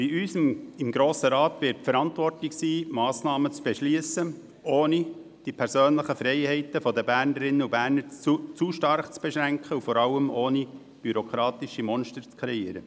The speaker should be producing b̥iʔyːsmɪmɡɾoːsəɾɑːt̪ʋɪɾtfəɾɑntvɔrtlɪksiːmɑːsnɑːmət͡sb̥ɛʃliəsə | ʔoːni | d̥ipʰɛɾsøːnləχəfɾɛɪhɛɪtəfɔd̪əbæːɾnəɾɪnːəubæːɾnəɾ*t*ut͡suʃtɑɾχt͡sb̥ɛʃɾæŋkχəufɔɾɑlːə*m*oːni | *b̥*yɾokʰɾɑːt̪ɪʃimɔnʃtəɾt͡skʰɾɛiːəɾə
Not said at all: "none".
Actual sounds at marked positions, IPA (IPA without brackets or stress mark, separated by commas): t͡s, m, b̥